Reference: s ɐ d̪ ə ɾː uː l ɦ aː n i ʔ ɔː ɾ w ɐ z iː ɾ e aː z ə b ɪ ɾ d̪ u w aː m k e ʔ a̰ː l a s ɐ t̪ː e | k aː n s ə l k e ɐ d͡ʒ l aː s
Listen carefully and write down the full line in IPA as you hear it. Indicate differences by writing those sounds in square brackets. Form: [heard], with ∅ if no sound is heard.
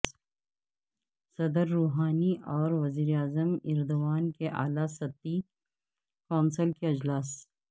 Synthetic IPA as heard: s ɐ d̪ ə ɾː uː [∅] ɦ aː n i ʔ ɔː ɾ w ɐ z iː ɾ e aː z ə [m] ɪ ɾ d̪ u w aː [n] k e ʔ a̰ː l a s ɐ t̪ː [i] | k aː n s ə l k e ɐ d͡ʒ l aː s

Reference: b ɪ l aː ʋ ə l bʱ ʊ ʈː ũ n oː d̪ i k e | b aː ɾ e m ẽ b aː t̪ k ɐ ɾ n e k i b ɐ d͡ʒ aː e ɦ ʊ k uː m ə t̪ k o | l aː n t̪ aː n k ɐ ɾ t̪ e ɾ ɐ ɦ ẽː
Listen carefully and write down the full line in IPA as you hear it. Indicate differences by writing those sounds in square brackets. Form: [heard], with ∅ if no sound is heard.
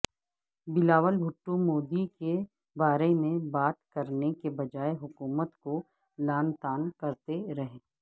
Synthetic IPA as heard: b ɪ l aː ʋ ə l bʱ ʊ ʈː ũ [m] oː d̪ i k e | b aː ɾ e m ẽ b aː t̪ k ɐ ɾ n e k [e] b ɐ d͡ʒ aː e ɦ ʊ k uː m ə t̪ k o | l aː n t̪ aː n k ɐ ɾ t̪ e ɾ ɐ ɦ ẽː

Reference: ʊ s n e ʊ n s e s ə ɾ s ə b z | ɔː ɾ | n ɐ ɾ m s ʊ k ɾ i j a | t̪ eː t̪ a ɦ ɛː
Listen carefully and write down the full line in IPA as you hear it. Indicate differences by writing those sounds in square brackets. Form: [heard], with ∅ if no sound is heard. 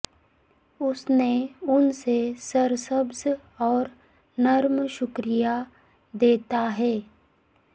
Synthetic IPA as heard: ʊ s n e ʊ n s e s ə ɾ s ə b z | ɔː ɾ | n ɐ ɾ m [ʃ] ʊ k ɾ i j a | [d̪] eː t̪ a ɦ ɛː

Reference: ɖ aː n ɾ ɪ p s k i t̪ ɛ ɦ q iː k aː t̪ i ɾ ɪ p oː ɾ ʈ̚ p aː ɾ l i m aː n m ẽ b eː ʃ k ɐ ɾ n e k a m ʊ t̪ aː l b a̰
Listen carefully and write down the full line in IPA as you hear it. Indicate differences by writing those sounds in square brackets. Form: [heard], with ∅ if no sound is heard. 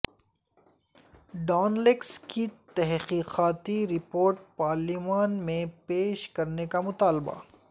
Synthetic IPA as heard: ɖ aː n [l] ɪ [k] s k i t̪ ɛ ɦ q iː [q] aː t̪ i ɾ ɪ p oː ɾ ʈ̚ p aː ɾ l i m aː n m ẽ [p] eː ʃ k ɐ ɾ n e k a m ʊ t̪ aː l b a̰

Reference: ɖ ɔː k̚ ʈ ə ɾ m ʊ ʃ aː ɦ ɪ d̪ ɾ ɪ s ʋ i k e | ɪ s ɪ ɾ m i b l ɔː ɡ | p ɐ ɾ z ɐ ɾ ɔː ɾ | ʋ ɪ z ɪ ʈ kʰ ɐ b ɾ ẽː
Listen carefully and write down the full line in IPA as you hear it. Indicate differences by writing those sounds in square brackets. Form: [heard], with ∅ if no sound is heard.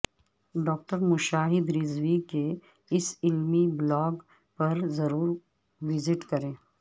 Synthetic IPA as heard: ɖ ɔː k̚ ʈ ə ɾ m ʊ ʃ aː ɦ ɪ d̪ ɾ ɪ [z] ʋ i k e | ɪ s ɪ [l] m i b l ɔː ɡ | p ɐ ɾ z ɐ ɾ [uː] ɾ | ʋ ɪ z ɪ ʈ [k] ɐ [∅] ɾ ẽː

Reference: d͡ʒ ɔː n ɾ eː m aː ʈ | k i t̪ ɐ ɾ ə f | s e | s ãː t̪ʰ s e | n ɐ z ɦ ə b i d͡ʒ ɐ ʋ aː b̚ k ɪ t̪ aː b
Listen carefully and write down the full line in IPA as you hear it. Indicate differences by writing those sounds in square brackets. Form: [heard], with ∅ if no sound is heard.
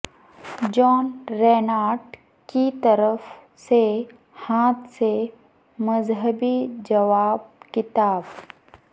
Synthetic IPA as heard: d͡ʒ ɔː n ɾ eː [n] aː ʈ | k i t̪ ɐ ɾ ə f | s e | [h] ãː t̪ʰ s e | [m] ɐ z ɦ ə b i d͡ʒ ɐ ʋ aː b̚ k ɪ t̪ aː b

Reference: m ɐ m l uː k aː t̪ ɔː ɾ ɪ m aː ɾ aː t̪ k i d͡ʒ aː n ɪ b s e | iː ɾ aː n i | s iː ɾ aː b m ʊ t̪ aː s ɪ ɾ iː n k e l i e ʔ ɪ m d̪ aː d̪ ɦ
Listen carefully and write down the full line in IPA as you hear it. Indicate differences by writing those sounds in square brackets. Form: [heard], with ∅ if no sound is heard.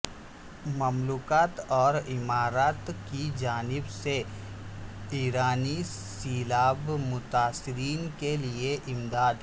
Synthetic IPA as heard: m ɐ m l uː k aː t̪ ɔː ɾ ɪ m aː ɾ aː t̪ k i d͡ʒ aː n ɪ b s e | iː ɾ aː n i | s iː [l] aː b m ʊ t̪ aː s ɪ ɾ iː n k e l i e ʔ ɪ m d̪ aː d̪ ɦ

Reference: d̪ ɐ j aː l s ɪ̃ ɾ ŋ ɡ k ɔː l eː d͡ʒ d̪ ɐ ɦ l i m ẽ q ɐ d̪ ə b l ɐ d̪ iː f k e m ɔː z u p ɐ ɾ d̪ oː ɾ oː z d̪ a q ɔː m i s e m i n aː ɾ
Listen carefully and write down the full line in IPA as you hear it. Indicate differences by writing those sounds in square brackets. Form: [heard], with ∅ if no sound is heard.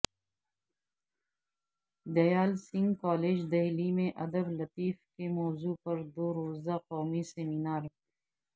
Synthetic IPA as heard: d̪ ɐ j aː l s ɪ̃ [∅] ŋ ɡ k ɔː l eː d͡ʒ d̪ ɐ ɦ l i m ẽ [ʔ] ɐ d̪ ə b l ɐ [t̪] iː f k e m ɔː z u p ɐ ɾ d̪ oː ɾ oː z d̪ a q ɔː m i s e m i n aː ɾ

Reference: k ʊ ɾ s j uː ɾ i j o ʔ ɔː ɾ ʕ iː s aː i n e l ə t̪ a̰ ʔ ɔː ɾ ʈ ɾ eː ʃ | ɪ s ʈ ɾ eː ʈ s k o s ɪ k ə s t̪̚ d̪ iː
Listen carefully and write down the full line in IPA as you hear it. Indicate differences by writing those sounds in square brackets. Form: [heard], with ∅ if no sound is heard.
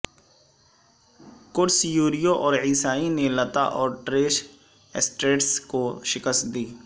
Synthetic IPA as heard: k ʊ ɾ s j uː ɾ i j o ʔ ɔː ɾ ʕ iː s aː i n e l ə t̪ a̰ ʔ ɔː ɾ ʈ ɾ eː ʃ | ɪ s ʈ ɾ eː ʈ s k o [ʃ] ɪ k ə s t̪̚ d̪ iː

